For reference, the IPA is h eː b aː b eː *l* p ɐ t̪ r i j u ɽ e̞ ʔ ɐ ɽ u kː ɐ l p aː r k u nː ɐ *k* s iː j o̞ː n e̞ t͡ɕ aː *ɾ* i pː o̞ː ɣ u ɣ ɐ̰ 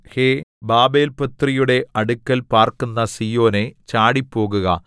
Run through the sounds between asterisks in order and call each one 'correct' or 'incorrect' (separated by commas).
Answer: correct, incorrect, incorrect